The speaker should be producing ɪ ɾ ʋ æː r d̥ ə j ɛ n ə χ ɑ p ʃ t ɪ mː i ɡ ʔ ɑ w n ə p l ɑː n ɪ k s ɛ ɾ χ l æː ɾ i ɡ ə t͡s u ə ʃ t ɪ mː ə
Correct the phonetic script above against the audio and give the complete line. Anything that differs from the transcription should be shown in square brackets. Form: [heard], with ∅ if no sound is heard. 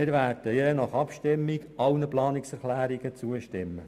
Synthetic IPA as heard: ɪ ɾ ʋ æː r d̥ ə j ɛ n [ɑ] χ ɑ p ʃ t ɪ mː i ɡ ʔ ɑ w n ə p l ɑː n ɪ k s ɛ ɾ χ l æː ɾ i ɡ ə t͡s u ə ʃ t ɪ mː ə